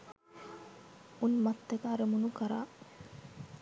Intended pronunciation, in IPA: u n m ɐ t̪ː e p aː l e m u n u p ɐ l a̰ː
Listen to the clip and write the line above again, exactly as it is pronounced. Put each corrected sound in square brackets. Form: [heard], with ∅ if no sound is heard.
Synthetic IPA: u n m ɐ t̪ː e [k] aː [ɾ] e m u n u [k] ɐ [ɾ] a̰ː